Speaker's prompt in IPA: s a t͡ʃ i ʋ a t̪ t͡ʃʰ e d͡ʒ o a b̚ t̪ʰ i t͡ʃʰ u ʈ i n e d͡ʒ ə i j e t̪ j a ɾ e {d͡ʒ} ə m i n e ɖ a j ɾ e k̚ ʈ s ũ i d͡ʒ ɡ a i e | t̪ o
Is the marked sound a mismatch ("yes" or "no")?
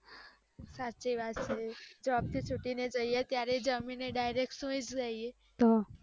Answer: no